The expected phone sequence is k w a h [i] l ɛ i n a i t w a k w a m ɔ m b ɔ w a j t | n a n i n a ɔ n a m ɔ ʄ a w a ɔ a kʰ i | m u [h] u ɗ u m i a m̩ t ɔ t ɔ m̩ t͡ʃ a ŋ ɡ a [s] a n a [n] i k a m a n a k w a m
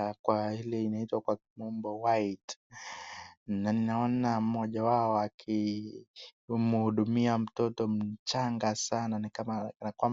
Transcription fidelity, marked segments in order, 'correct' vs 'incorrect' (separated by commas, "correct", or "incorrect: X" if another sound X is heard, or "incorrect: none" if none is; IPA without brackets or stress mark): correct, correct, correct, correct